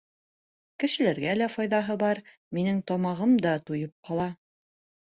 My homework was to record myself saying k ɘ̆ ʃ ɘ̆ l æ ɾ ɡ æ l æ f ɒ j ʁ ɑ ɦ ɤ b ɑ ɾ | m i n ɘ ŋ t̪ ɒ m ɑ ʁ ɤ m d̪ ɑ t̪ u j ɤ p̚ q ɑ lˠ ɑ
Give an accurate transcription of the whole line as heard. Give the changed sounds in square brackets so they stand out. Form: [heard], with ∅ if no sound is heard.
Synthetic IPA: k ɘ̆ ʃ ɘ̆ l æ ɾ ɡ æ l æ f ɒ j [ð] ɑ ɦ ɤ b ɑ ɾ | m i n ɘ ŋ t̪ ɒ m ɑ ʁ ɤ m d̪ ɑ t̪ u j ɤ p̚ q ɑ lˠ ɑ